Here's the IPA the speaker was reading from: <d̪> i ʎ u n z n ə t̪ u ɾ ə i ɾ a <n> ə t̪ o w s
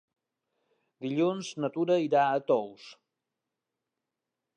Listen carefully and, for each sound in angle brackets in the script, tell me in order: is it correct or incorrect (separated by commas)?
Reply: correct, incorrect